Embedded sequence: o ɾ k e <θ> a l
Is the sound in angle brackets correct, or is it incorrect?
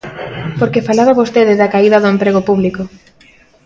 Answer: incorrect